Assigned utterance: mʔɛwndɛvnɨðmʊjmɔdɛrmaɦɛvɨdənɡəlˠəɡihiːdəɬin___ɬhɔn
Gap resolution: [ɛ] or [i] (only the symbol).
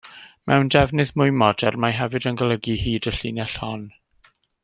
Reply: ɛ